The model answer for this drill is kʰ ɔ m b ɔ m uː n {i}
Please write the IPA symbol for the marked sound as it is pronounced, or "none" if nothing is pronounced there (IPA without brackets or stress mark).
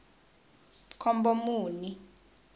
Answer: i